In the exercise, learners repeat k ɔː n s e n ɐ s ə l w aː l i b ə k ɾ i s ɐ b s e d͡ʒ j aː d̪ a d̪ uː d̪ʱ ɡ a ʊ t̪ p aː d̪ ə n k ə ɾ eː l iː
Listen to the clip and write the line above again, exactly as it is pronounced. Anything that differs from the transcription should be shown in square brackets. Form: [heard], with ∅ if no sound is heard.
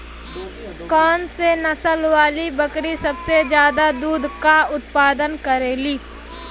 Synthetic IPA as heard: k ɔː n s e n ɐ s ə l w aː l i b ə k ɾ i s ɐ b s e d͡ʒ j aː d̪ a d̪ uː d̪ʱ [k] a ʊ t̪ p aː d̪ ə n k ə ɾ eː l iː

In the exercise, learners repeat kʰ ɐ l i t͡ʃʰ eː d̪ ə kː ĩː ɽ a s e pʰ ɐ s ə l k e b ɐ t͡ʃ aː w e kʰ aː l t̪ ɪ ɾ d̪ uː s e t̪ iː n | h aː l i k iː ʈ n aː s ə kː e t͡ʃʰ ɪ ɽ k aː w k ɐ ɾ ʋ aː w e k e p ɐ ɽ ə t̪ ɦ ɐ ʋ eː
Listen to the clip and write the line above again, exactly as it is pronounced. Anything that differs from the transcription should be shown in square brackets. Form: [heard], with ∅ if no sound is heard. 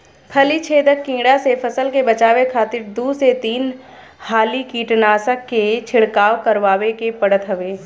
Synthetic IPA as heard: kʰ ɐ l i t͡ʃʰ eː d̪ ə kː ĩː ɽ a s e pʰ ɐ s ə l k e b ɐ t͡ʃ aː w e kʰ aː [∅] t̪ ɪ ɾ d̪ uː s e t̪ iː n | h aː l i k iː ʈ n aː s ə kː e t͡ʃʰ ɪ ɽ k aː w k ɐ ɾ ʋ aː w e k e p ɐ ɽ ə t̪ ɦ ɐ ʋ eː

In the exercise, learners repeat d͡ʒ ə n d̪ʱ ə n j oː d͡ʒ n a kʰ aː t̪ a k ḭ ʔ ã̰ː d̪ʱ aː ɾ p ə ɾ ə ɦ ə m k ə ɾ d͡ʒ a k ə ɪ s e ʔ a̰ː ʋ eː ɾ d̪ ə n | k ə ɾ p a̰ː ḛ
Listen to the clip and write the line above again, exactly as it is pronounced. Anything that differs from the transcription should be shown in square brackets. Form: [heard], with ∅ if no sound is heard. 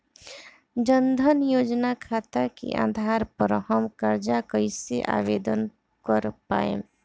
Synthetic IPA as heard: d͡ʒ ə n d̪ʱ ə n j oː d͡ʒ n a kʰ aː t̪ a k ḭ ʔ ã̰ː d̪ʱ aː ɾ p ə ɾ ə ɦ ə m k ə ɾ d͡ʒ a k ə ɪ s e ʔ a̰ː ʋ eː [∅] d̪ ə n | k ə ɾ p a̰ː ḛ

